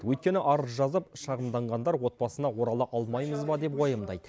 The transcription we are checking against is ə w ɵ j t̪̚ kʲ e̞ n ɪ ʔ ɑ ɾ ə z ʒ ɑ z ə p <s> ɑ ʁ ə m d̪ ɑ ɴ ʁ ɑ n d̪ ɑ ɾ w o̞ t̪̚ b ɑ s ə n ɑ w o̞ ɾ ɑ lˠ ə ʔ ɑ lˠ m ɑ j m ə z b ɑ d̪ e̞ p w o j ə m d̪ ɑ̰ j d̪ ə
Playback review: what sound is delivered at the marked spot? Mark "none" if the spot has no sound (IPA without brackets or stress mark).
ʃ